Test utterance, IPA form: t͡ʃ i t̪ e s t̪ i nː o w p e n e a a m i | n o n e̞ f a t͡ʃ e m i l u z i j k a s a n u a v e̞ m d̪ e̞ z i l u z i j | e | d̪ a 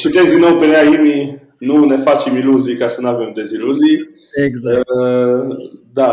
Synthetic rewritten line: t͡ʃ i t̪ e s d̪ i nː o w p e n e a i m i | n u n e̞ f a t͡ʃ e m i l u z i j k a s ə n u a v e̞ m d̪ e̞ z i l u z i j | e | d̪ a